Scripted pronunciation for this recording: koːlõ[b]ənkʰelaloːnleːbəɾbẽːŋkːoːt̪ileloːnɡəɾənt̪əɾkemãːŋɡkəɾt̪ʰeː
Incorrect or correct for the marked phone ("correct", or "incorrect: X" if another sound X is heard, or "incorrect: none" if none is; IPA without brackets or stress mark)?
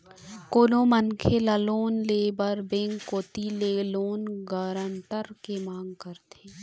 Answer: incorrect: m